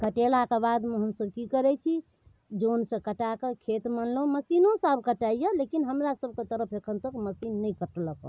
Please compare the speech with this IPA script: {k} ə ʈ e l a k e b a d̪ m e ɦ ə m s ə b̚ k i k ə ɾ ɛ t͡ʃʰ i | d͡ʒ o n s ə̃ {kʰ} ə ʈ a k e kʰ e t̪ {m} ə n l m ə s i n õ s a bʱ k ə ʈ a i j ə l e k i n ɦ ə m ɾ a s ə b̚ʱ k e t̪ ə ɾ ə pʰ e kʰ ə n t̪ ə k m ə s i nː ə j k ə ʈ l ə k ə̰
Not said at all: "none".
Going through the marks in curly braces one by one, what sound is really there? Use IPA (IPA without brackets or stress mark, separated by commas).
k, k, m